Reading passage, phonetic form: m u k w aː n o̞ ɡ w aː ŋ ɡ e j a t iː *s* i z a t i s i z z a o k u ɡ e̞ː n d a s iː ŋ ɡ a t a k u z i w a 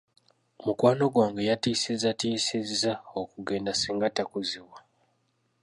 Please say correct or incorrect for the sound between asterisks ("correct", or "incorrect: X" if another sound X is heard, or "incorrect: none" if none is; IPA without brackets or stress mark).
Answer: correct